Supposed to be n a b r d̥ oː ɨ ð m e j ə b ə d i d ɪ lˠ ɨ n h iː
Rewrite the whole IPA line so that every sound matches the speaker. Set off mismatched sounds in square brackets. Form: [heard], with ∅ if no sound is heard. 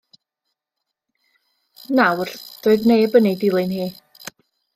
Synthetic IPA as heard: n a [w] r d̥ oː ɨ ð [n] e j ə b ə [n] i d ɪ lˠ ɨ n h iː